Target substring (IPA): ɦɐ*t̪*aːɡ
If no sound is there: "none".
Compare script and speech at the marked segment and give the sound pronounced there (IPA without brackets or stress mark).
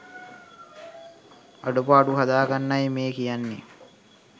d̪